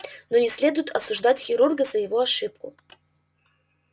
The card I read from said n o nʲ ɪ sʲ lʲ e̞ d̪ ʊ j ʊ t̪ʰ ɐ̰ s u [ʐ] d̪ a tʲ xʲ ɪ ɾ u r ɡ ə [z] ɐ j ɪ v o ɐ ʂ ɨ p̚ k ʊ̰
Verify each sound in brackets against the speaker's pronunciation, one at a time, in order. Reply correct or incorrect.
correct, correct

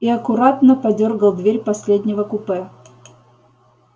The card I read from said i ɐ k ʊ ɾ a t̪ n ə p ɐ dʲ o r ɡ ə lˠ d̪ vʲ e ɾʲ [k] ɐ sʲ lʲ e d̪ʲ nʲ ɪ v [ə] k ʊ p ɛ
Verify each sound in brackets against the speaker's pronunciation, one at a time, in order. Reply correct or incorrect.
incorrect, correct

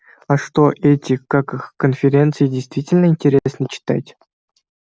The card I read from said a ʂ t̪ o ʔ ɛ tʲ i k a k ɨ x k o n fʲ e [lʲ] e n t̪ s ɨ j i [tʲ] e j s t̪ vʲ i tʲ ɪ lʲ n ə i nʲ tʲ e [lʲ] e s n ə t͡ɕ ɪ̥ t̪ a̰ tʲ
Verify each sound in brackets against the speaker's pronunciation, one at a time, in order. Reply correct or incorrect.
incorrect, incorrect, incorrect

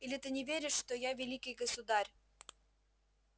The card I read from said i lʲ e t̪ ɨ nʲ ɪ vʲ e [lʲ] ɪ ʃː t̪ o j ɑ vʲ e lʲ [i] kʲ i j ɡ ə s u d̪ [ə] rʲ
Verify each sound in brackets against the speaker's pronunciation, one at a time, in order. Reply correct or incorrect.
incorrect, correct, incorrect

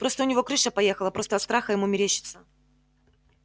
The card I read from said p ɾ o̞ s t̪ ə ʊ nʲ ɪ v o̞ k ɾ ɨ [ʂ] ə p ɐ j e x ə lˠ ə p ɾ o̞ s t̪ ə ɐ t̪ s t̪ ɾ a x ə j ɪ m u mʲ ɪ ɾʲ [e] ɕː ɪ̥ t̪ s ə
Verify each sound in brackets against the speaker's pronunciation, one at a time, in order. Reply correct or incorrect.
correct, correct

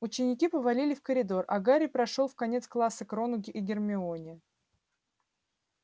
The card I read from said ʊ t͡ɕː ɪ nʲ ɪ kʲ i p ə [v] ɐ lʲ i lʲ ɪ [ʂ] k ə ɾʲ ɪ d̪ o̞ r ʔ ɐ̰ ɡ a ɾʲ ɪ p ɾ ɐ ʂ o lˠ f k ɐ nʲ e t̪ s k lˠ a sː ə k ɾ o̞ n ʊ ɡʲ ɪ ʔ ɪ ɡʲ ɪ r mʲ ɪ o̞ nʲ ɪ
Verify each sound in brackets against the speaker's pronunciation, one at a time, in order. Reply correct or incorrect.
correct, incorrect

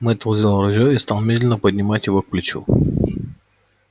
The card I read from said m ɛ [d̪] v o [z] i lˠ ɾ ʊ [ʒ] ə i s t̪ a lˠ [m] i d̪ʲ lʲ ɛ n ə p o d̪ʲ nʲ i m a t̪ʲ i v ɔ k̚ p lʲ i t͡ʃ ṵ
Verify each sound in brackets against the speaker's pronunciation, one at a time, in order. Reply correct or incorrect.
incorrect, correct, correct, correct

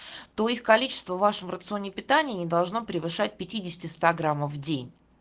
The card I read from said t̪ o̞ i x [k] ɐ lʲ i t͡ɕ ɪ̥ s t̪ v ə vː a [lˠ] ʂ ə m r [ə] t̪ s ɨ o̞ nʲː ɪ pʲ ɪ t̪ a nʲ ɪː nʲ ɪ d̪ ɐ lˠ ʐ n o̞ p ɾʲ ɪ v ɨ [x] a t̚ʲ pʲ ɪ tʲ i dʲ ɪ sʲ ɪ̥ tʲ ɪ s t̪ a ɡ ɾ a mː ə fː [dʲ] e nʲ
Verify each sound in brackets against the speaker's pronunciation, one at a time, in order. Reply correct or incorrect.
correct, incorrect, correct, incorrect, correct

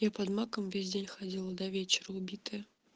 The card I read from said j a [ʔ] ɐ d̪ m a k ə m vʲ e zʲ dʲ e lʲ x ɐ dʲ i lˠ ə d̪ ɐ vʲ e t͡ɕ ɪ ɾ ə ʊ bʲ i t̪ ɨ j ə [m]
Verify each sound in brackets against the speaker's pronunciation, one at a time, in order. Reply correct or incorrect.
incorrect, incorrect

